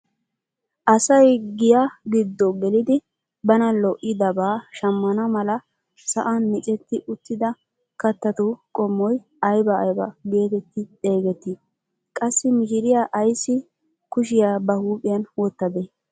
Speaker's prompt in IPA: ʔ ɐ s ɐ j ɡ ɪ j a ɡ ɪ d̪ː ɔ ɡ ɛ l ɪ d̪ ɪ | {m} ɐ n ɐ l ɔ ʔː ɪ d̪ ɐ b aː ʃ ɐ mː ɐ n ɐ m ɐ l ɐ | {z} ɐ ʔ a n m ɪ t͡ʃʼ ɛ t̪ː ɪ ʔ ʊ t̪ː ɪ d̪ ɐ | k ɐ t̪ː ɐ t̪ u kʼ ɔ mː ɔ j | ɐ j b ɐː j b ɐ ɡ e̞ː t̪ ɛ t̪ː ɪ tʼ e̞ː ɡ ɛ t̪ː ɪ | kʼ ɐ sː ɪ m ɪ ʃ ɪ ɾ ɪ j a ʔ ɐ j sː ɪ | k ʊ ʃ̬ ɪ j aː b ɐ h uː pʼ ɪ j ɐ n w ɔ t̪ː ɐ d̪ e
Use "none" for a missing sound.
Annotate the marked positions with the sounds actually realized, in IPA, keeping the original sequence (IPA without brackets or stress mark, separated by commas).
b, s